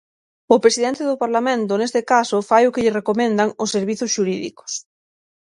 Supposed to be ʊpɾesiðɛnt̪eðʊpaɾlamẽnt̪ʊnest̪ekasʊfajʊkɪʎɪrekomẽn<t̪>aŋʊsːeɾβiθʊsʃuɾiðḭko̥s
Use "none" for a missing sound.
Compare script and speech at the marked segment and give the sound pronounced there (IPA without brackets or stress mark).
d̪